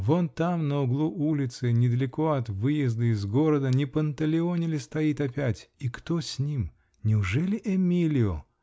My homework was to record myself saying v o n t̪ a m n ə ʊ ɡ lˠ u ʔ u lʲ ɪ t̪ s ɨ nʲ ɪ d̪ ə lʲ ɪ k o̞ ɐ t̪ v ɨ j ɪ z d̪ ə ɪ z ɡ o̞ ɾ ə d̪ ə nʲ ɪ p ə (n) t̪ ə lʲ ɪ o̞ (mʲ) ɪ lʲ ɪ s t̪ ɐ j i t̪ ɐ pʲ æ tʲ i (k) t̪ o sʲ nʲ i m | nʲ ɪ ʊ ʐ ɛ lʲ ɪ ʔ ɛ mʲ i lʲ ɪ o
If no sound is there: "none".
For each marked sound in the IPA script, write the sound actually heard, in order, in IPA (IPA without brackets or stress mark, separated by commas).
n, nʲ, k